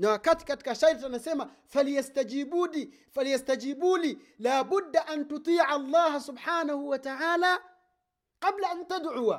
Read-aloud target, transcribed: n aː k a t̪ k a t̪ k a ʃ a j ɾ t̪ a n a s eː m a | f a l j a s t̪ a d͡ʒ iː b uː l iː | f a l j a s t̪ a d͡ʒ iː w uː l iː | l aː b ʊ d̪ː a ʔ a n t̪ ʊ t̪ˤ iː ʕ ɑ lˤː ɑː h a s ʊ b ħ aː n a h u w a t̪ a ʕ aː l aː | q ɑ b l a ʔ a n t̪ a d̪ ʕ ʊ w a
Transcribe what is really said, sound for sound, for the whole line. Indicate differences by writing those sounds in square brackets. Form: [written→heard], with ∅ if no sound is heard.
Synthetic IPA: n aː k a t̪ k a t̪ k a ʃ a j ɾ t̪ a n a s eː m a | f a l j a s t̪ a d͡ʒ iː b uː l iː | f a l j a s t̪ a d͡ʒ iː [w→b] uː l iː | l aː b ʊ d̪ː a ʔ a n t̪ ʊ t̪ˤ iː ʕ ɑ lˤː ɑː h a s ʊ b ħ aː n a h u w a t̪ a ʕ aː l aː | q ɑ b l a ʔ a n t̪ a d̪ ʕ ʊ w a